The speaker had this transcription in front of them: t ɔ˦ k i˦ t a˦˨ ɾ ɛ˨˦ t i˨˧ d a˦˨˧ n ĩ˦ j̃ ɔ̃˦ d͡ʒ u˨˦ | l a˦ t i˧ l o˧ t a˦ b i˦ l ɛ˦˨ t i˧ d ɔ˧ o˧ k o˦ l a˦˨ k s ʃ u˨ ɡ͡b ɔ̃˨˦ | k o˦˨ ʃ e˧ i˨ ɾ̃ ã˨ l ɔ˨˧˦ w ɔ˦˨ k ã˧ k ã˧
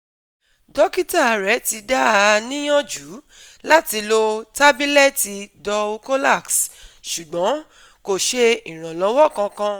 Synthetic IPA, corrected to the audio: d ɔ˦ k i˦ t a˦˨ ɾ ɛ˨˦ t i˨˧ d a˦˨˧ n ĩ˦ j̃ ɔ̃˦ d͡ʒ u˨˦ | l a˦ t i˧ l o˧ t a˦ b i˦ l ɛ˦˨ t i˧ d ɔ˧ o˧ k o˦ l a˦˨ k s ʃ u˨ ɡ͡b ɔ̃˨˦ | k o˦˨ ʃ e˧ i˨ ɾ̃ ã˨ l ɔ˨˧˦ w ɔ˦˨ k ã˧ k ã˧